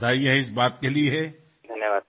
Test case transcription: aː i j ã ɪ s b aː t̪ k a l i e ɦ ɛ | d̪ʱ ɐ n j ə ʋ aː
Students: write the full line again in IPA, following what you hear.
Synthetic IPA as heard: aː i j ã ɪ s b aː t̪ k e l i e ɦ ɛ | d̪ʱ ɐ n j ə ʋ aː

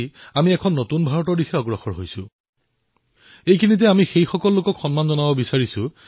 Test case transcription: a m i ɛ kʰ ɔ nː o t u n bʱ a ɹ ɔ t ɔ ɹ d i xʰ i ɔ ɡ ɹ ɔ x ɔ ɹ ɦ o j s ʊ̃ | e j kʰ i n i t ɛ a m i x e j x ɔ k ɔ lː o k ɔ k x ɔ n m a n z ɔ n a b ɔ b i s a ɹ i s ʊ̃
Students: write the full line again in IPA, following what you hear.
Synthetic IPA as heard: a m i ɛ kʰ ɔ nː o t u n bʱ a ɹ ɔ t ɔ ɹ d i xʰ ɛ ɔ ɡ ɹ ɔ x ɔ ɹ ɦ o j s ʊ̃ | e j kʰ i n i t ɛ a m i x e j x ɔ k ɔ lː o k ɔ k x ɔ n m a n z ɔ n a b ɔ b i s a ɹ i s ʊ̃

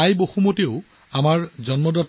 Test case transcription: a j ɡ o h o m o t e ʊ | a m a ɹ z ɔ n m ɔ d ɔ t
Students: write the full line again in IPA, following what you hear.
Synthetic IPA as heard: a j b o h u m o t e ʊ | a m a ɹ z ɔ n m ɔ d ɔ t

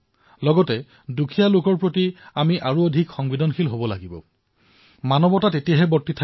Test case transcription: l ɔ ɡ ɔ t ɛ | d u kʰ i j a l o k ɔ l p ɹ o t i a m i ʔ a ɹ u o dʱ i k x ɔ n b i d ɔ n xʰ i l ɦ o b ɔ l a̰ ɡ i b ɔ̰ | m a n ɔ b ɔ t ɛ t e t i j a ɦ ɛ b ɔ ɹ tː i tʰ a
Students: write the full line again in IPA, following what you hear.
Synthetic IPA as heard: l ɔ ɡ ɔ t ɛ | d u kʰ i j a l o k ɔ ɹ p ɹ o t i a m i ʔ a ɹ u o dʱ i k x ɔ ŋ b i d ɔ n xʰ i l ɦ o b ɔ l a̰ ɡ i b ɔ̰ | m a n ɔ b ɔ t a t e t i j a ɦ ɛ b ɔ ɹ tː i tʰ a

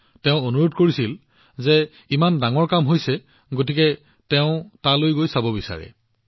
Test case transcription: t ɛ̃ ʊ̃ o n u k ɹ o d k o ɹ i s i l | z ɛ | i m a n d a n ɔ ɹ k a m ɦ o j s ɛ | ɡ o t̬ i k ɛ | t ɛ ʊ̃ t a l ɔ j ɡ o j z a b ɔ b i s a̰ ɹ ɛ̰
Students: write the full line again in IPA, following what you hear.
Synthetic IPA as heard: t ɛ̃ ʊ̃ o n u ɹ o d k o ɹ i s i l | z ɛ | i m a n d a ŋ ɔ ɹ k a m ɦ o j s ɛ | ɡ o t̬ i k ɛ | t ɛ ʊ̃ t a l o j ɡ o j s a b ɔ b i s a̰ ɹ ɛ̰

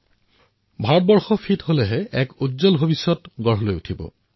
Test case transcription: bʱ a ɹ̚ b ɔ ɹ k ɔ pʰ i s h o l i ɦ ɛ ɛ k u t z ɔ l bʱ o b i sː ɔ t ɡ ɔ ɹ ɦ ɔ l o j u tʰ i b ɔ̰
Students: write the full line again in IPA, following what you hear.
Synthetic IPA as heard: bʱ a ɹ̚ b ɔ ɹ x ɔ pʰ i t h o l ɛ ɦ ɛ ɛ k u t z ɔ l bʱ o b i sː ɔ t ɡ ɔ ɹ ɦ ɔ l o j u tʰ i b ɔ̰

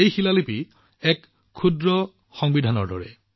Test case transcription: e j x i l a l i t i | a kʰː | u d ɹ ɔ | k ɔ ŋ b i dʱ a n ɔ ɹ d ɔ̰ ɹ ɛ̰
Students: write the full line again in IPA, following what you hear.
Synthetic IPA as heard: e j x i l a l i p i | ɛ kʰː | u d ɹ ɔ | x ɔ ŋ b i dʱ a n ɔ ɹ d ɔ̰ ɹ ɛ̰

